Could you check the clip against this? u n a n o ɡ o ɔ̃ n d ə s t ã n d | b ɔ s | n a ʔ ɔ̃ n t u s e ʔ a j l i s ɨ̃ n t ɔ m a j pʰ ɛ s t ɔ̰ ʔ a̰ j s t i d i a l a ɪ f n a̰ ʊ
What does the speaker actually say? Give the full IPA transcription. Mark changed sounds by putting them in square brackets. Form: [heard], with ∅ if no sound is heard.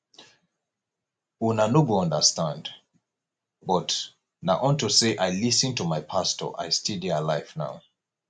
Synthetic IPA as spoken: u n a n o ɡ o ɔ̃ n d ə s t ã n d | b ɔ [t] | n a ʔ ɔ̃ n t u s e ʔ a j l i s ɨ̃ n t [u] m a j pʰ [a] s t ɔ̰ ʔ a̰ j s t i d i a l a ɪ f n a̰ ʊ